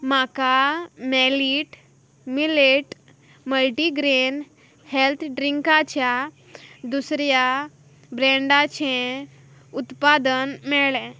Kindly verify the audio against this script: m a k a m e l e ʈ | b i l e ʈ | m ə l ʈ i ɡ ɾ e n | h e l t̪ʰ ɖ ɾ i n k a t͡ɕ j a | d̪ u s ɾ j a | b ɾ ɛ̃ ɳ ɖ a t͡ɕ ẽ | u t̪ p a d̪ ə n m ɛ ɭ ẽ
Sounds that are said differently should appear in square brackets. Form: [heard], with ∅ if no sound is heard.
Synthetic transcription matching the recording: m a k a m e l [i] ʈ | [m] i l e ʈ | m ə l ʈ i ɡ ɾ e n | h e l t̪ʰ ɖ ɾ i [ŋ] k a t͡ɕ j a | d̪ u s ɾ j a | b ɾ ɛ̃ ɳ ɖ a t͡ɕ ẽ | u t̪ p a d̪ ə n m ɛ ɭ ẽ